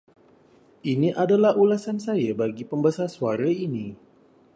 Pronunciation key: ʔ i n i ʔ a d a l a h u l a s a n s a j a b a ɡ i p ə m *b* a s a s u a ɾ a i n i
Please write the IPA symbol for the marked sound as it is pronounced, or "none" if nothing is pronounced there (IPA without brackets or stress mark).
b